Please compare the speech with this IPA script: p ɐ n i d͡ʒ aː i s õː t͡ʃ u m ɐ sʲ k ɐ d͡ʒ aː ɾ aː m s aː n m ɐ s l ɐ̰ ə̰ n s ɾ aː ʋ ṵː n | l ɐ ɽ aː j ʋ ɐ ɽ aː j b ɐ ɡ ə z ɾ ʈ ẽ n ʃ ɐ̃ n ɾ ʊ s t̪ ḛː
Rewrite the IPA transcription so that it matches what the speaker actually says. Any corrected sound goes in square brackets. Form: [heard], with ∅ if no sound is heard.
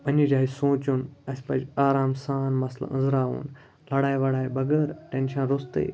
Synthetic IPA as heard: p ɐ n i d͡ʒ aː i s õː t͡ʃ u [n] ɐ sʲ [p] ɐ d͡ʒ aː ɾ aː m s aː n m ɐ s l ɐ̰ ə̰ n [z] ɾ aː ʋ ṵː n | l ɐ ɽ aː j ʋ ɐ ɽ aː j b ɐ ɡ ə [∅] ɾ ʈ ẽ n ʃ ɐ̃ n ɾ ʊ s t̪ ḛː